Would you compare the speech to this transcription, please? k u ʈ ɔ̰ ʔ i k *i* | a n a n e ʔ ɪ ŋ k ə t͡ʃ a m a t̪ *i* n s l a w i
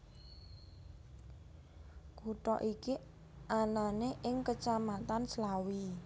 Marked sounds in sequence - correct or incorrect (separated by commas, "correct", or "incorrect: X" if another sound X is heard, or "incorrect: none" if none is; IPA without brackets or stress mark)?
correct, incorrect: a